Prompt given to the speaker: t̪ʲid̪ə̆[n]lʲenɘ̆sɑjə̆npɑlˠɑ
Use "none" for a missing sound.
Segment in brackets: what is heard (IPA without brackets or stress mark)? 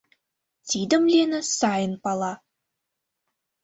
m